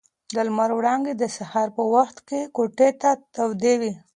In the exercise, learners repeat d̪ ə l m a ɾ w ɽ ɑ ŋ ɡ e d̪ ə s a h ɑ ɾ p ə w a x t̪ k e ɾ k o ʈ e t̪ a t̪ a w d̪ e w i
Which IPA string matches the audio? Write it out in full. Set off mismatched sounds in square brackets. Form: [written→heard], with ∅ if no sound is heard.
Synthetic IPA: d̪ ə l m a ɾ w ɽ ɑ ŋ ɡ e d̪ ə s a h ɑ ɾ p ə w a x t̪ k e [ɾ→∅] k o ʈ e t̪ a t̪ a w d̪ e w i

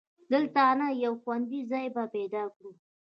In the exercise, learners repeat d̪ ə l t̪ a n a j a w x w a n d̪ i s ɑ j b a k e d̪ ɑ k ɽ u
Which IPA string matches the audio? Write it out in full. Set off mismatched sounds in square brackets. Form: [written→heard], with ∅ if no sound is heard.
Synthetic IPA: d̪ ə l t̪ a n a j a w x w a n d̪ i [s→z] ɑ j b a [k→p] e d̪ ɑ k ɽ u

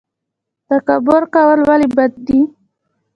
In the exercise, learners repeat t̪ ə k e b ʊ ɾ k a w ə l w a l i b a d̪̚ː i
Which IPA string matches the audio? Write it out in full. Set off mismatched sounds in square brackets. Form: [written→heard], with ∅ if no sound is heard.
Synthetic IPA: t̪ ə k [e→a] b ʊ ɾ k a w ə l w a l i b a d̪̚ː i

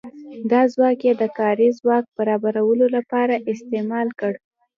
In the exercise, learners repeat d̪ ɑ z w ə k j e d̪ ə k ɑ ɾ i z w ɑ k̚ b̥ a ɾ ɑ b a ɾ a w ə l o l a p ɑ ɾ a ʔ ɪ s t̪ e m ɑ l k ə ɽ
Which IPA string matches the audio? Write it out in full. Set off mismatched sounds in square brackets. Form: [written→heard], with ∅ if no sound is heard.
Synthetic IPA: d̪ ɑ z w [ə→ɑ] k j e d̪ ə k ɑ ɾ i z w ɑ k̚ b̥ a ɾ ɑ b a ɾ a w ə l o l a p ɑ ɾ a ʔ ɪ s t̪ e m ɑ l k ə ɽ

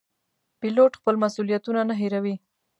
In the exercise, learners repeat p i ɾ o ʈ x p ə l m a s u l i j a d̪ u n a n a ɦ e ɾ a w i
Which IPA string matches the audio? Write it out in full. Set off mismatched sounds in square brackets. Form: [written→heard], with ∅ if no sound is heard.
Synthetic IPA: p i [ɾ→l] o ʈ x p ə l m a s u l i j a [d̪→t̪] u n a n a ɦ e ɾ a w i

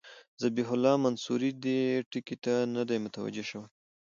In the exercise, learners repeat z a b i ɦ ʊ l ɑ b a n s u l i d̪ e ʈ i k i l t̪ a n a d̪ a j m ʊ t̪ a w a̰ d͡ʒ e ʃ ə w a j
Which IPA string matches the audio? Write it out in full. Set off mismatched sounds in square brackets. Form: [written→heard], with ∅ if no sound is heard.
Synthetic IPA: z a b i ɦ ʊ l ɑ [b→m] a n s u [l→ɾ] i d̪ e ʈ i k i [l→∅] t̪ a n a d̪ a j m ʊ t̪ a w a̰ d͡ʒ e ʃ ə w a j

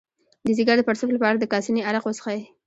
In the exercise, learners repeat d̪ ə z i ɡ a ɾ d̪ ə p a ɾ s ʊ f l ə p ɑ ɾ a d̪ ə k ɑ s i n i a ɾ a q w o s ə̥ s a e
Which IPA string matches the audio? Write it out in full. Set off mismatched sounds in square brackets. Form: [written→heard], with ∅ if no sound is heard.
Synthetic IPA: d̪ ə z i ɡ a ɾ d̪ ə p a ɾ s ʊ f l [ə→a] p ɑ ɾ a d̪ ə k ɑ s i n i a ɾ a q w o s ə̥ [s→x] a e

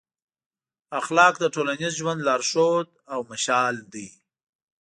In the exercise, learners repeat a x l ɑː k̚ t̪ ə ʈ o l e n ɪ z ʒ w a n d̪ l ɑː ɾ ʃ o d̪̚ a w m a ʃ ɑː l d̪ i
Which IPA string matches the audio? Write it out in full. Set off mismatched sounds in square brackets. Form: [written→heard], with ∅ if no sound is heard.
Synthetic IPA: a x l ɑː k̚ [t̪→d̪] ə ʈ o l [e→a] n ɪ z ʒ w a n d̪ l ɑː ɾ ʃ o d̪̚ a w m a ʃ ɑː l d̪ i

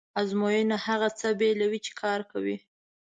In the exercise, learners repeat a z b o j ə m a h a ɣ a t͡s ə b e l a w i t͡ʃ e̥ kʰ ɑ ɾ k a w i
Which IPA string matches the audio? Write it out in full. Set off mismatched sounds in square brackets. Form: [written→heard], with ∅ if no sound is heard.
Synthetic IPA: a z [b→m] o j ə [m→n] a h a ɣ a t͡s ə b e l a w i t͡ʃ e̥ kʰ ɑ ɾ k a w i

